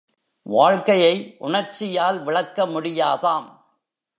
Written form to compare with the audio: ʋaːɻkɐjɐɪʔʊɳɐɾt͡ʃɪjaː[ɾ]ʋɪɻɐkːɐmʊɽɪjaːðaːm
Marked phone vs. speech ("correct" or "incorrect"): incorrect